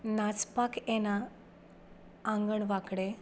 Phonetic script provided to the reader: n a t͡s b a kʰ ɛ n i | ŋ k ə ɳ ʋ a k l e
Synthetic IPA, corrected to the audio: n a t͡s p a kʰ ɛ n a | ŋ ɡ ə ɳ ʋ a k ɽ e